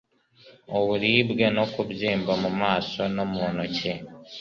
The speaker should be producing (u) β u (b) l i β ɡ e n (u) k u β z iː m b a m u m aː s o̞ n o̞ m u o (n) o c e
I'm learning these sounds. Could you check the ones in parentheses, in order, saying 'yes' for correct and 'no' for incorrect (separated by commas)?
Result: no, no, no, yes